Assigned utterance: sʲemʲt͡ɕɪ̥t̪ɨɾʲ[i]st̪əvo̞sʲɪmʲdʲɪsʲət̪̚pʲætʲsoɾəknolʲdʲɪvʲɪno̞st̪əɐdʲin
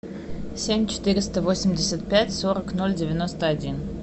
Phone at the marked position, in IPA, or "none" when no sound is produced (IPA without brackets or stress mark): ɪ